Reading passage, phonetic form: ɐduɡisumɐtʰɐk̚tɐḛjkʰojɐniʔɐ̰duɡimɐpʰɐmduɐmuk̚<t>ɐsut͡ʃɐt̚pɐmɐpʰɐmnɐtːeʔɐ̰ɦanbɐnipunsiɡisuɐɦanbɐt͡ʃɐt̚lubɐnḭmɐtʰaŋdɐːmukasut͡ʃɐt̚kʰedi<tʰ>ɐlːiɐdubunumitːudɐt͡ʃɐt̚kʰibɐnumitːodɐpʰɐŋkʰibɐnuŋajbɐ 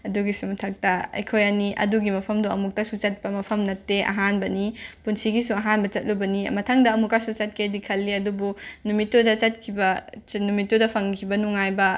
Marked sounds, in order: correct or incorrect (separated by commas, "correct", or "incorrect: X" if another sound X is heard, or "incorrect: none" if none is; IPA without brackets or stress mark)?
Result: correct, incorrect: kʰ